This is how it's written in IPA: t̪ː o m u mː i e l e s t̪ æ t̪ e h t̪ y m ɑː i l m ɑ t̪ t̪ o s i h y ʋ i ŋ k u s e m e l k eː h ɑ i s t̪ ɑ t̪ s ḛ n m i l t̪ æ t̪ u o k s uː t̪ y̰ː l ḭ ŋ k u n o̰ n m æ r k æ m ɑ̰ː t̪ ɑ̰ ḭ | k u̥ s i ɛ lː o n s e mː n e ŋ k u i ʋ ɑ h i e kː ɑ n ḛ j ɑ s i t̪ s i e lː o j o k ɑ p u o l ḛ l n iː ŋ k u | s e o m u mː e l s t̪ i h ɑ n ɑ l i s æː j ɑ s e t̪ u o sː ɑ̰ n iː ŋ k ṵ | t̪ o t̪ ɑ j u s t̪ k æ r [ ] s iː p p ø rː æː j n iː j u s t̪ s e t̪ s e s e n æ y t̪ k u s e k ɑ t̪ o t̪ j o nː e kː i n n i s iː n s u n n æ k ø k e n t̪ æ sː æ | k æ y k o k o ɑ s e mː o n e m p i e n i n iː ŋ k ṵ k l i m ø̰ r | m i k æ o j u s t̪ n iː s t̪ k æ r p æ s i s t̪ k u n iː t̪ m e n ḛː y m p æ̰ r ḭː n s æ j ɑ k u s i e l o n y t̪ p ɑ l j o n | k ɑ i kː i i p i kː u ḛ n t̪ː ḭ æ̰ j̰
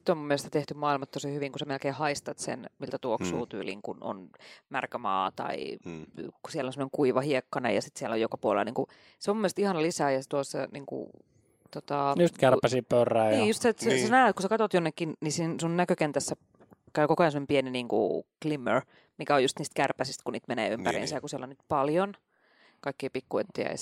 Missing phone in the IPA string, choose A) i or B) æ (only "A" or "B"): B